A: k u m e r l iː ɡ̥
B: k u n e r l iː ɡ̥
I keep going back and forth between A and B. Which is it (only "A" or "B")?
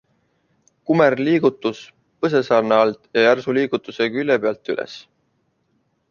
A